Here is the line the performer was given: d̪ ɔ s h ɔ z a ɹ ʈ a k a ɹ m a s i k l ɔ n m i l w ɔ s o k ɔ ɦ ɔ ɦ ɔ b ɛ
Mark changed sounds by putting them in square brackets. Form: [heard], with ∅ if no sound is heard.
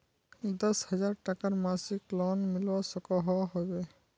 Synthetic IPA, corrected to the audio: d̪ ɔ s h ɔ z a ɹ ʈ a k a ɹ m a s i k l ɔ n m i l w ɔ s [ɔ] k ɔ ɦ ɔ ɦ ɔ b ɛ